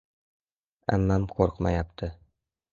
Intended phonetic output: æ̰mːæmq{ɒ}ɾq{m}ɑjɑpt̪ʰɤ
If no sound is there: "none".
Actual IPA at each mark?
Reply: o, m

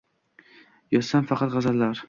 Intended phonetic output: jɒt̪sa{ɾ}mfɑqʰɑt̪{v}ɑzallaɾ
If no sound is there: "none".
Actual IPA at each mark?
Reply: none, ʁ

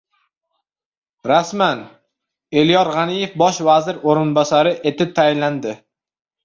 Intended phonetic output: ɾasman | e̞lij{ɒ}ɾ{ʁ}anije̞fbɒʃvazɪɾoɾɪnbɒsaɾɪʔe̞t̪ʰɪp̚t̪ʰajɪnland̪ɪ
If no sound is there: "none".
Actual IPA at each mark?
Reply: ɒ, ʁ

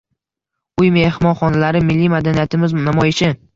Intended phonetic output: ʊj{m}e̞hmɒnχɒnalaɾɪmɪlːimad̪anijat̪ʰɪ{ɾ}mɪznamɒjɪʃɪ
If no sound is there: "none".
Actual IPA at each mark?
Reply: m, none

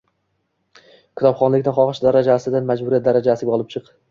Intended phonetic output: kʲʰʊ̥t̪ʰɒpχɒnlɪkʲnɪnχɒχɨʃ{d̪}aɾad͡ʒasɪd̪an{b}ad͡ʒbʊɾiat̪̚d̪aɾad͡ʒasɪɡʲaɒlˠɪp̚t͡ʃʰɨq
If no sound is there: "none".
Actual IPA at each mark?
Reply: d̪, m

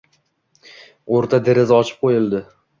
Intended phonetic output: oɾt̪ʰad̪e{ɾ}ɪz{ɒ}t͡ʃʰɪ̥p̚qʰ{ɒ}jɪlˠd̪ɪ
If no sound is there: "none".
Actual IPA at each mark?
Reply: ɾ, ɒ, o

